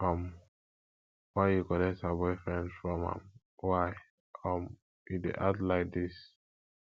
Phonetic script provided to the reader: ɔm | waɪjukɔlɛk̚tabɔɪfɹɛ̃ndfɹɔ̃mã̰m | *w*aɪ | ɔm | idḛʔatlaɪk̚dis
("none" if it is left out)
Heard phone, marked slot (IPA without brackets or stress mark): w